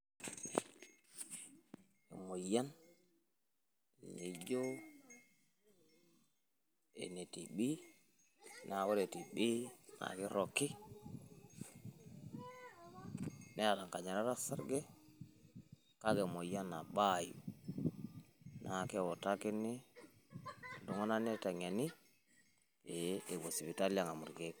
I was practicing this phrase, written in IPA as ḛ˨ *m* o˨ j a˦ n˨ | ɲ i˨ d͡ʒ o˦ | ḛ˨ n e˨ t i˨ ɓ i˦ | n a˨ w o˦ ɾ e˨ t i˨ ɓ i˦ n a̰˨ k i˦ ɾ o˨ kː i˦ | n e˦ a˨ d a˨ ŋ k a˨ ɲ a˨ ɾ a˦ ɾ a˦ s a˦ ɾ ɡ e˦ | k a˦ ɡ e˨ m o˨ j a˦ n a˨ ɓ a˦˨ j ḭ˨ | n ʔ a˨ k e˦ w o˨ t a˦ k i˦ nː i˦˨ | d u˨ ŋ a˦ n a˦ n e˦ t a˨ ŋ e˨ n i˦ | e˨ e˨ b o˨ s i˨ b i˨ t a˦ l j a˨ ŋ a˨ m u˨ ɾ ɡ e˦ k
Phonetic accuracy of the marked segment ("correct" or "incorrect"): correct